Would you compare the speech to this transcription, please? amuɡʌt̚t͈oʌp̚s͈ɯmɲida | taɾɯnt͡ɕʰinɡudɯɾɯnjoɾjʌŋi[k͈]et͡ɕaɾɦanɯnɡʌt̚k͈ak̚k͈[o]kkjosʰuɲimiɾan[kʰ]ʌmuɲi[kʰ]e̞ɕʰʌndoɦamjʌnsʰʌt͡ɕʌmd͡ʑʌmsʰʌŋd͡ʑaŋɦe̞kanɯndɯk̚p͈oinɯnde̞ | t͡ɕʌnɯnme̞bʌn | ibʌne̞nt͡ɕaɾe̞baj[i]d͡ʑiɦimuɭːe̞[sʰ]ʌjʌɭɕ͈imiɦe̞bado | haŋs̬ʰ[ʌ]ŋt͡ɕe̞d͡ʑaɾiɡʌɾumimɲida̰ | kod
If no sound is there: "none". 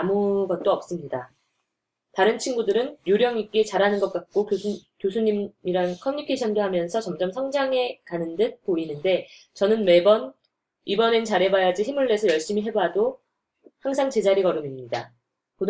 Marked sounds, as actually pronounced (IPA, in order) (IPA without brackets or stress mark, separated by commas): k͈, o, kʰ, kʰ, a, sʰ, a